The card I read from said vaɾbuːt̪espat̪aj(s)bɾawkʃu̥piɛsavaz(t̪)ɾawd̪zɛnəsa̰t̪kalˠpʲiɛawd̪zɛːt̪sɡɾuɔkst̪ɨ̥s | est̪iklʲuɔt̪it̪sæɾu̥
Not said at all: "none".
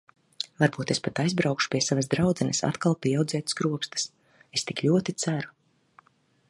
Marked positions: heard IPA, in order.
z, d̪

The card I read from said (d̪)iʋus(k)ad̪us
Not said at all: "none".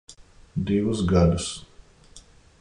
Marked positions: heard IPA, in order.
d̪, ɡ

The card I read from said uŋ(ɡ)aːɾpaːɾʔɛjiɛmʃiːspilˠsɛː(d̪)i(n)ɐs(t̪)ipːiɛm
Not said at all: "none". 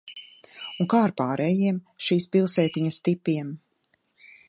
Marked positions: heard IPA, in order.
k, t̪, ɲ, t̪

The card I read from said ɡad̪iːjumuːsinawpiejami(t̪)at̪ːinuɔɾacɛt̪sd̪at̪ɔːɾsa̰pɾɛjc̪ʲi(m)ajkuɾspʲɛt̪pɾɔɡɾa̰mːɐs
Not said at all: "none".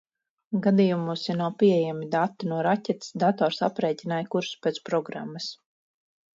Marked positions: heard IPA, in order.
d̪, n

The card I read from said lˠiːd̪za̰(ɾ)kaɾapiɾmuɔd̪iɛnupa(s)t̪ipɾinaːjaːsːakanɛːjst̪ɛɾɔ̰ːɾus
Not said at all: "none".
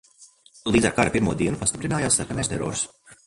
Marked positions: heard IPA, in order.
ɾ, s

